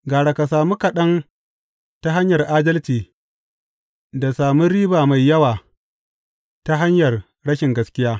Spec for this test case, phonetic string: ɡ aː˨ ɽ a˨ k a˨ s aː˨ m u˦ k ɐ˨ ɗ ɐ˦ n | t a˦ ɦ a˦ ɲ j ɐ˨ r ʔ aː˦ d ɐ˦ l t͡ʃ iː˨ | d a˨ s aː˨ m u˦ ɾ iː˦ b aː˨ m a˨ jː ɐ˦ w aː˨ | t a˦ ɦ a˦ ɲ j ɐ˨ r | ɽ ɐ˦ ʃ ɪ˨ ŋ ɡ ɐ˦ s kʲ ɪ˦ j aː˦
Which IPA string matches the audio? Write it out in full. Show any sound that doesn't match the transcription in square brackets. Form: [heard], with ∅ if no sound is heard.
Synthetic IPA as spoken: ɡ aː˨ ɽ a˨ k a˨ s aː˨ m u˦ k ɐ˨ ɗ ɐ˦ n | t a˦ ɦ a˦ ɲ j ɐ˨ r ʔ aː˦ d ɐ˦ l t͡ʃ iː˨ | d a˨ s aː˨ m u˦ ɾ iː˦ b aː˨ m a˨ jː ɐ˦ w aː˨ | t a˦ ɦ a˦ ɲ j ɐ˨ r | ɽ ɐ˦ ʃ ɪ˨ ŋ ɡ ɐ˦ s kʲ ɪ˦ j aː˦